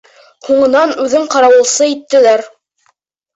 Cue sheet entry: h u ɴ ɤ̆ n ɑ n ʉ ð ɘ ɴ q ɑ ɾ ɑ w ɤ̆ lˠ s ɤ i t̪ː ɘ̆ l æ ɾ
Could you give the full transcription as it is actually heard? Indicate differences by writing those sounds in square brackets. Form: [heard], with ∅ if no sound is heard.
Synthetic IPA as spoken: h u ɴ ɤ̆ n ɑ n ʉ ð ɘ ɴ q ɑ ɾ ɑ w ɤ̆ lˠ s ɤ i t̪ː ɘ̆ l æ ɾ